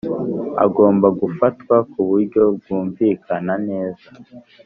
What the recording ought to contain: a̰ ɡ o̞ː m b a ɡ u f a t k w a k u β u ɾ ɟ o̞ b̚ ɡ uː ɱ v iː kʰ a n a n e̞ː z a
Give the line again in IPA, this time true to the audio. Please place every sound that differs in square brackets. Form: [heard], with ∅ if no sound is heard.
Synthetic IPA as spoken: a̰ ɡ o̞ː m b a ɡ u f a t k w a k u β u ɾ ɟ o̞ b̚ ɡ uː ɱ v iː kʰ a n a n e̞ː z a